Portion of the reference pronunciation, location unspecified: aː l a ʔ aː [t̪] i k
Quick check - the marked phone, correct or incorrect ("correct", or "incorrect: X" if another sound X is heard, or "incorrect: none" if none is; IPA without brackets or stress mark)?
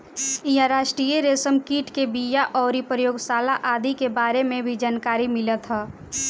incorrect: d̪